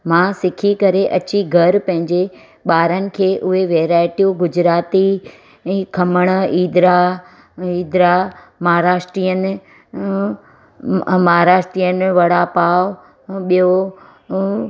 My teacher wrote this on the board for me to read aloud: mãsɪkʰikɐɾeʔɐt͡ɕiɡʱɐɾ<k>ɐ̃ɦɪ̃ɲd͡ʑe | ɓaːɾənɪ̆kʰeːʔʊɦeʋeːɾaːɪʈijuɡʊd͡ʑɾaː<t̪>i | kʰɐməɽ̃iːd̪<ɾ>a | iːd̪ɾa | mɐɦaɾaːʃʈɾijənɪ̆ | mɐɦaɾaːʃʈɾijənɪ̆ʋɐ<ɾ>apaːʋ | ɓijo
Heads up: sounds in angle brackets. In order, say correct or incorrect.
incorrect, correct, correct, incorrect

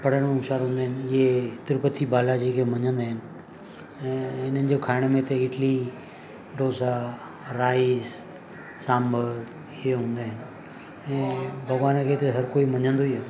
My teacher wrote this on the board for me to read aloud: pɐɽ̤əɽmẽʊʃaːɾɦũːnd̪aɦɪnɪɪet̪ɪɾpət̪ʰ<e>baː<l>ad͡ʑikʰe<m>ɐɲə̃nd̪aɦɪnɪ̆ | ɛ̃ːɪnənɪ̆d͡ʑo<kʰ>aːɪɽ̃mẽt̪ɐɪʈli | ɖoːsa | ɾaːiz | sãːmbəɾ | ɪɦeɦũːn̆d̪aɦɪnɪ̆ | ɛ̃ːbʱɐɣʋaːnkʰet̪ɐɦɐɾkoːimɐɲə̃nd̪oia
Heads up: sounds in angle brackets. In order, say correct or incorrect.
incorrect, correct, correct, correct

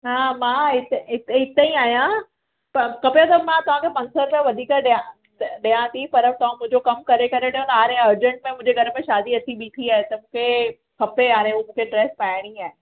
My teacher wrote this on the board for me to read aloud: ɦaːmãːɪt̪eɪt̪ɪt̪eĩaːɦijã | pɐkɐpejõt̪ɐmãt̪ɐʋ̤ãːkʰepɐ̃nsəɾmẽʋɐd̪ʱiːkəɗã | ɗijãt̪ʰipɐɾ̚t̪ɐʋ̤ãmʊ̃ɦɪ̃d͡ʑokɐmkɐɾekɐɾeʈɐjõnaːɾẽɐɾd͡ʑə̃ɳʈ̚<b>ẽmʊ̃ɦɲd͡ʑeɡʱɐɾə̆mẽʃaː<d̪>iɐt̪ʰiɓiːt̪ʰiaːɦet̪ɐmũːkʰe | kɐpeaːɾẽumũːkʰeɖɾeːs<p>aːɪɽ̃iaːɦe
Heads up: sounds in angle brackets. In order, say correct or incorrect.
incorrect, correct, correct

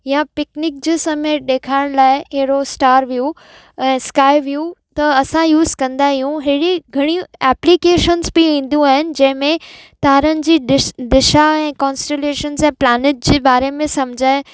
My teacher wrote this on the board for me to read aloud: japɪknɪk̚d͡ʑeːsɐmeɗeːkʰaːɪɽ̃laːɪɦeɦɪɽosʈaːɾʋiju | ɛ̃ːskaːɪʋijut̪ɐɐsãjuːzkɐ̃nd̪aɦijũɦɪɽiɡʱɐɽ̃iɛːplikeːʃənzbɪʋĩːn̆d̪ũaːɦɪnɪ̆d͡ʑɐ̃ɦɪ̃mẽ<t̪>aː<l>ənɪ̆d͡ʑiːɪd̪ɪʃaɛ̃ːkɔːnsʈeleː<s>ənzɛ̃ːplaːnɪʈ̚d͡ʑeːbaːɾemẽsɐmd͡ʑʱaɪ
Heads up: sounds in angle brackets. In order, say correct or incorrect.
correct, incorrect, incorrect

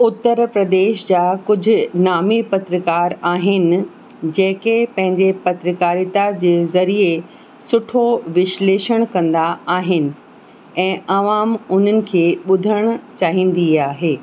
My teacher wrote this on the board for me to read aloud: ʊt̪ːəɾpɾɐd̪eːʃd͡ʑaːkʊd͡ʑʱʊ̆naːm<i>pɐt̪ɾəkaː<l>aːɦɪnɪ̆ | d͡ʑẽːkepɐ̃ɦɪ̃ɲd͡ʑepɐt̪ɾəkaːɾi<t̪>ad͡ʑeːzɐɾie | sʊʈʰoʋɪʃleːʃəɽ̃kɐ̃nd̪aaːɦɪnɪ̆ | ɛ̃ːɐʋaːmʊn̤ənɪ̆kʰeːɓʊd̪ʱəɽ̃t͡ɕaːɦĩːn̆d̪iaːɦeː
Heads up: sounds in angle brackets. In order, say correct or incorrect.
correct, incorrect, correct

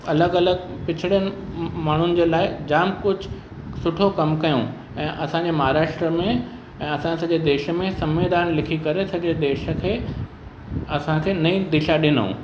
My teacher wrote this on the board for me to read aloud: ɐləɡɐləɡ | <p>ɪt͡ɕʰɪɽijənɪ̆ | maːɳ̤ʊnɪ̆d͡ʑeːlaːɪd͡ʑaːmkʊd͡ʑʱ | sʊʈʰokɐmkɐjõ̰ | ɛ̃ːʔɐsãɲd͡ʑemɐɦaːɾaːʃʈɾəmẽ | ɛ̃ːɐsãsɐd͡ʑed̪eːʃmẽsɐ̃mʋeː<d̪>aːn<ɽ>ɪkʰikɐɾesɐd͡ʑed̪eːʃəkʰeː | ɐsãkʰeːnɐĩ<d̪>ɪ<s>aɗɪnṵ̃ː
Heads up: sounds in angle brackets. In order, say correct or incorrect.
correct, correct, incorrect, correct, incorrect

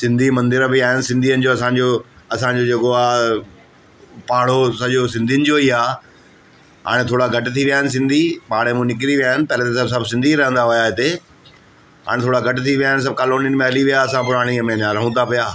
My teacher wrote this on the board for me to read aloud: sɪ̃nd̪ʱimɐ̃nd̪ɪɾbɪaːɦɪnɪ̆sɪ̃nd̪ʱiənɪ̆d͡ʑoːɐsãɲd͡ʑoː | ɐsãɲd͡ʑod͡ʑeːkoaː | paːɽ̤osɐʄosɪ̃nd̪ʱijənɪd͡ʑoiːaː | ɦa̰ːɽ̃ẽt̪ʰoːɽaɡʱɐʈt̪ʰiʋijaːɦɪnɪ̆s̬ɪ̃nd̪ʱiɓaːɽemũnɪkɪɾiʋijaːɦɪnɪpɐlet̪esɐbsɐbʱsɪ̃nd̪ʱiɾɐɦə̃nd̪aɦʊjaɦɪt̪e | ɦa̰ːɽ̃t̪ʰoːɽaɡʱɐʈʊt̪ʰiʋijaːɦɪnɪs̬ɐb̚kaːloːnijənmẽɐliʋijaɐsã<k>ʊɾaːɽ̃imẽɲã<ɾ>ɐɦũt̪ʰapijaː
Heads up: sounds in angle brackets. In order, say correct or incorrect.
incorrect, correct

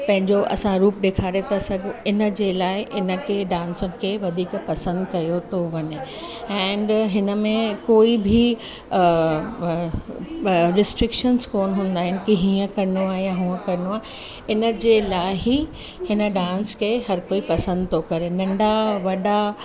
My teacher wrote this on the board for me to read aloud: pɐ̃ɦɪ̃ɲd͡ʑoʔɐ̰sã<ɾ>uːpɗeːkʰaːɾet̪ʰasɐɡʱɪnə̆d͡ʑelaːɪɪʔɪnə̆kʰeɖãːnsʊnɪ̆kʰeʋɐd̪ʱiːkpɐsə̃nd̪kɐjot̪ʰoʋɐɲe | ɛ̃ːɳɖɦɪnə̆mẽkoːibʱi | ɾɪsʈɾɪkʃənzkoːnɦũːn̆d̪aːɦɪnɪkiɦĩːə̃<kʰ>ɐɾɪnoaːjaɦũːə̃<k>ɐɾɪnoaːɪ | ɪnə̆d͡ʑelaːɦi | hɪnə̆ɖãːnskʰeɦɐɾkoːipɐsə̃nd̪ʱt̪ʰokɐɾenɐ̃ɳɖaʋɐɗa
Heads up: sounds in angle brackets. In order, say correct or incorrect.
correct, incorrect, correct

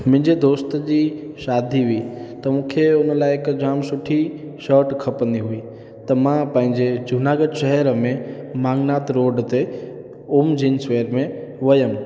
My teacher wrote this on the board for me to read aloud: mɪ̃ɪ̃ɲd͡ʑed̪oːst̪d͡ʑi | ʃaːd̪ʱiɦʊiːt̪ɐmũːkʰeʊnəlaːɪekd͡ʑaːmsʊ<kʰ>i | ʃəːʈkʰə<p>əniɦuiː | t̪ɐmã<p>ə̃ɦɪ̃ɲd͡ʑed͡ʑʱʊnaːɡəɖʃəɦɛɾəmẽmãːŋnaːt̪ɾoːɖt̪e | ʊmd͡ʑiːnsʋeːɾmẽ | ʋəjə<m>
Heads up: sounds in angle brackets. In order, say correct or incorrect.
incorrect, correct, correct, correct

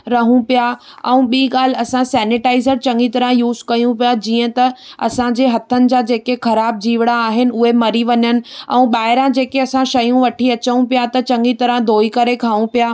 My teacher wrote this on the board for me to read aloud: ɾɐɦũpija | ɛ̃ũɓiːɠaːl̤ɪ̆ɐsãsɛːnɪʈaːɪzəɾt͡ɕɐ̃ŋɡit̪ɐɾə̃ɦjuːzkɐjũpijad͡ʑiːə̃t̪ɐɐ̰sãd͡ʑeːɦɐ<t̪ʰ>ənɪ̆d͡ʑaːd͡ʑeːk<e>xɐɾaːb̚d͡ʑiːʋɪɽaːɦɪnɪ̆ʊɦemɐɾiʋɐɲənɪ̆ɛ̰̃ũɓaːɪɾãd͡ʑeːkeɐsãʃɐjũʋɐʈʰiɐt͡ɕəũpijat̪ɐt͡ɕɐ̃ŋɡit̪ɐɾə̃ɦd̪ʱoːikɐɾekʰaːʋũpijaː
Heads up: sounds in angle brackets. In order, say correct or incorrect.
correct, correct

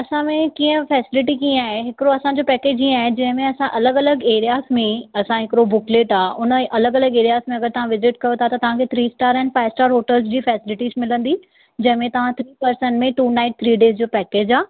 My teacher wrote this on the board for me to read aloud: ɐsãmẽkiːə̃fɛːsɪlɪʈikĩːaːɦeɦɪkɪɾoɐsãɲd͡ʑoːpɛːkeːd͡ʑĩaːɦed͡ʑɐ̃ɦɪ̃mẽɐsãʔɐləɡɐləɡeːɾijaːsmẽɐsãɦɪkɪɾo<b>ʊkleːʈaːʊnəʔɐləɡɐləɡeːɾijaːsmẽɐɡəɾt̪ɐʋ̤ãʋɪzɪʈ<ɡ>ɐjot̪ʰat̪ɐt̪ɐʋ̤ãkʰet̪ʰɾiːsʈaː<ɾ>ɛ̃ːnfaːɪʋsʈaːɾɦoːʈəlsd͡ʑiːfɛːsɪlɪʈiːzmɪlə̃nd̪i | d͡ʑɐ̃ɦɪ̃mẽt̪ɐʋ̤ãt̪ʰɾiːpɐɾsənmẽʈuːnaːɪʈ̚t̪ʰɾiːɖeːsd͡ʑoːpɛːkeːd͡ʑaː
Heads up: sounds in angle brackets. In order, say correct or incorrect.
correct, incorrect, correct

